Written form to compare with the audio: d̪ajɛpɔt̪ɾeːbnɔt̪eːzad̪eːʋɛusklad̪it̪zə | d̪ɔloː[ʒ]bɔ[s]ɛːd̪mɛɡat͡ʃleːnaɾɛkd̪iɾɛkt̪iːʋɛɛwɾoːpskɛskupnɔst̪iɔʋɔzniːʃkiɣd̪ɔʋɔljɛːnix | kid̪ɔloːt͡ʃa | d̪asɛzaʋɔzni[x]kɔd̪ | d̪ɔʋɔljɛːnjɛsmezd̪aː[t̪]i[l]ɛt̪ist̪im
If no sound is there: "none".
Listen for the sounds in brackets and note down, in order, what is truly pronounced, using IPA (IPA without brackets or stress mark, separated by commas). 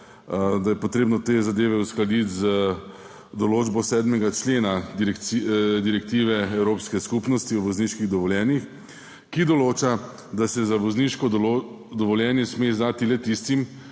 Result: d͡ʒ, s, ʃ, t̪, l